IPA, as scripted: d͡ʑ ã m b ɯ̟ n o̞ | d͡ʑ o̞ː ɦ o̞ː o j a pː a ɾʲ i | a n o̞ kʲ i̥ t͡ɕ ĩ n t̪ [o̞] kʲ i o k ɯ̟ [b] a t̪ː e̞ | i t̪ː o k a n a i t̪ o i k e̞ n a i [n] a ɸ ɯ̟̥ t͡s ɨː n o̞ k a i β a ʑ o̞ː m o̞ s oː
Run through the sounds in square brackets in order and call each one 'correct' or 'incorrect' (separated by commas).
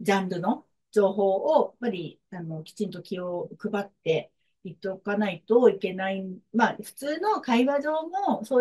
correct, correct, incorrect